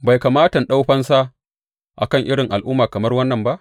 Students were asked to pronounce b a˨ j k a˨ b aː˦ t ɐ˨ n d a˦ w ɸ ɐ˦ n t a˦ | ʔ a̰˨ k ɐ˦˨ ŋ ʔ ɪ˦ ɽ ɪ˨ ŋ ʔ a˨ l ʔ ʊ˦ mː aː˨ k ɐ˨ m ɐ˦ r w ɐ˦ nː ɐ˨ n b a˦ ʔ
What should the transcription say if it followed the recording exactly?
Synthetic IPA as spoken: b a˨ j k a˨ m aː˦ t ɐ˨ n ɗ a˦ w ɸ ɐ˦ n s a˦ | ʔ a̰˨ k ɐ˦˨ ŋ ʔ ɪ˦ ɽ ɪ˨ ŋ ʔ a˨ l ʔ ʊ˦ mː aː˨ k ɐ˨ m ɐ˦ r w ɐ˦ nː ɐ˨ m b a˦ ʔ